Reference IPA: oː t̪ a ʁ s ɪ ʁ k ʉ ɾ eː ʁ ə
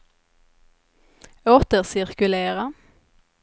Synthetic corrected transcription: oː t̪ ə ʁ s ɪ ʁ k ʉ l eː ʁ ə